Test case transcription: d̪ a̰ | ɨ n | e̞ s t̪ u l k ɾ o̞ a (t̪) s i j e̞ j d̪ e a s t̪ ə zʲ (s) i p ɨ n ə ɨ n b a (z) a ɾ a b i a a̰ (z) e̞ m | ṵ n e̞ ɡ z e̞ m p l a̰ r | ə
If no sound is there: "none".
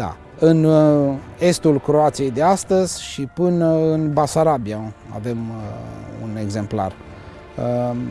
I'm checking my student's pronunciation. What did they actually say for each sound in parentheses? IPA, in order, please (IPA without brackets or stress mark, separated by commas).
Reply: t̪, ʃ, s, v